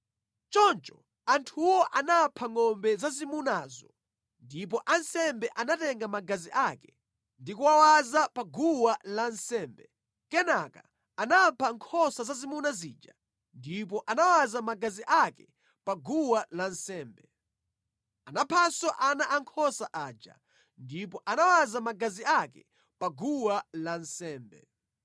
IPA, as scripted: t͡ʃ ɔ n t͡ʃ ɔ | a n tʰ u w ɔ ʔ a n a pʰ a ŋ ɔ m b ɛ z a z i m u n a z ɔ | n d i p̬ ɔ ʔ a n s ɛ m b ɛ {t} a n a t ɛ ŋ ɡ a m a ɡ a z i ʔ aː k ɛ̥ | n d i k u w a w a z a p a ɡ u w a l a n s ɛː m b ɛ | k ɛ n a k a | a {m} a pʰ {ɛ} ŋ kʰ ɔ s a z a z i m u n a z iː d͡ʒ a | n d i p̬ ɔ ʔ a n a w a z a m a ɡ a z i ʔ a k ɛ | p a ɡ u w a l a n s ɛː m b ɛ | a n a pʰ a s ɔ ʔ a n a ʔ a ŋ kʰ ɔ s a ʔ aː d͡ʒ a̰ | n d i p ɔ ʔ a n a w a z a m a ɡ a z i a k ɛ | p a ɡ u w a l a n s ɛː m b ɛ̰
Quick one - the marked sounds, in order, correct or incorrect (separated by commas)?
incorrect, incorrect, incorrect